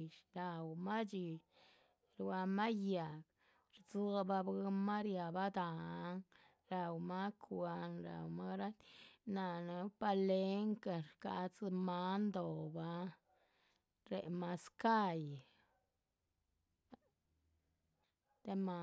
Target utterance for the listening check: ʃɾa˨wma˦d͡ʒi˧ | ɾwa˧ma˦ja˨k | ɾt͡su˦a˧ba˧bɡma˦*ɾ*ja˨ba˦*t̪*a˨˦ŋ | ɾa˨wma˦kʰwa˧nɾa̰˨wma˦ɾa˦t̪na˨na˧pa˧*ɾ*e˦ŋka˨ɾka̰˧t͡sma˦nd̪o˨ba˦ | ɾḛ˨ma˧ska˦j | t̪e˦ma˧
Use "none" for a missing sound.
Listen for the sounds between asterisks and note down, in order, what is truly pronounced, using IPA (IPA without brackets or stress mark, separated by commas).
ɾ, d̪, l